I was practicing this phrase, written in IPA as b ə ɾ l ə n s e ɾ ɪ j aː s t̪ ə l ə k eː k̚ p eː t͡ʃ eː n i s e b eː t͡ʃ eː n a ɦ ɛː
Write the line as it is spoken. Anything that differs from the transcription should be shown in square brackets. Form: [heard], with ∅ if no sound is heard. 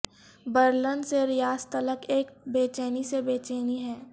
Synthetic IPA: b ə ɾ l ə n s e ɾ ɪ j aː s t̪ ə l ə k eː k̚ [b] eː t͡ʃ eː n i s e b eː t͡ʃ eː n [i] ɦ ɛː